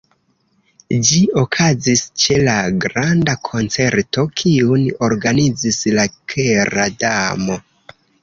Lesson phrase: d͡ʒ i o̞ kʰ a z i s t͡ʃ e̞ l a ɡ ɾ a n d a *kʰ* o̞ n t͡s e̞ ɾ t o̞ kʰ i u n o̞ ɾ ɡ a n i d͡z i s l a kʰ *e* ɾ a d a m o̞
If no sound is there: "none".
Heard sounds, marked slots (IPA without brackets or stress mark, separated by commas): kʰ, e